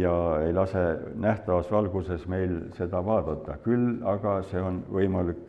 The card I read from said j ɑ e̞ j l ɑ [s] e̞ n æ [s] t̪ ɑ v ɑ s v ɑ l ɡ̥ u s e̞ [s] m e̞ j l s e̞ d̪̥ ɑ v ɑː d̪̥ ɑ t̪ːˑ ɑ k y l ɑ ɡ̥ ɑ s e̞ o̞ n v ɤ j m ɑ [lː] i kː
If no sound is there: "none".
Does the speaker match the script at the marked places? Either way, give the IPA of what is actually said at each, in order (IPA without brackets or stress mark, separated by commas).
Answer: s, h, s, l